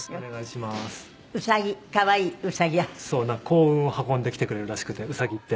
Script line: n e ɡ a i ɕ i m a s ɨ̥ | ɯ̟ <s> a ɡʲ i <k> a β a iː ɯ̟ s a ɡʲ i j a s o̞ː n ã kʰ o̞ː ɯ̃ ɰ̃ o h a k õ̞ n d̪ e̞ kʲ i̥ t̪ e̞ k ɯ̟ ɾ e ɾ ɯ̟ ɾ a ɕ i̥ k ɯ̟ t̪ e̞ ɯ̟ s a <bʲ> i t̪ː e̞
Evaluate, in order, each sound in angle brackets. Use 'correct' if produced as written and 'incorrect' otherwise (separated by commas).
correct, correct, incorrect